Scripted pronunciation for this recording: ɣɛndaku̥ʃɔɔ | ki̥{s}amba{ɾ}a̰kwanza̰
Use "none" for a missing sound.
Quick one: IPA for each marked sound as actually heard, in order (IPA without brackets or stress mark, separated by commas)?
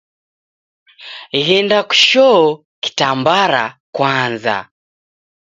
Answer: t, ɾ